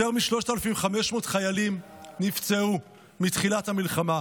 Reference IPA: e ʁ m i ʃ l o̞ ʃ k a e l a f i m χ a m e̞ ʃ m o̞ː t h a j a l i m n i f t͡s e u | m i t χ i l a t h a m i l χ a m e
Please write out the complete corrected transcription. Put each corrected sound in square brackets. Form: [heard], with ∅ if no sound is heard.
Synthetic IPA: e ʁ m i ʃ l o̞ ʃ [t] a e l a f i m χ a m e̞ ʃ m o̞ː t [χ] a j a l i m n i f t͡s e u | m i t χ i l a t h a m i l χ a m [a]